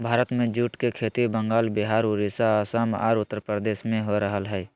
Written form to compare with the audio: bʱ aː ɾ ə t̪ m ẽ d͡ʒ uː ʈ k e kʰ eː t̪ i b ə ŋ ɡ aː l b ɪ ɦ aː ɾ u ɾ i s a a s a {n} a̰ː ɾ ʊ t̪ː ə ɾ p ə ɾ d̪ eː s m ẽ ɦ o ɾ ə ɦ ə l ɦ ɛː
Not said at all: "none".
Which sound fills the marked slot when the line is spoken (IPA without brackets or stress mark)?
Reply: m